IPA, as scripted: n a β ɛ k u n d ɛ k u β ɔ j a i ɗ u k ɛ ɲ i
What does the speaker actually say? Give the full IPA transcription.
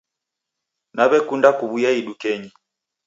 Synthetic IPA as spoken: n a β ɛ k u n d a k u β u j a i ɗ u k ɛ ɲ i